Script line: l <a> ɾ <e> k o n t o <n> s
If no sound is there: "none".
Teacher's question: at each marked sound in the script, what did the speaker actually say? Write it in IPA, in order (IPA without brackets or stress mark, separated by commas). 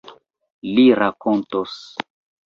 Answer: i, a, none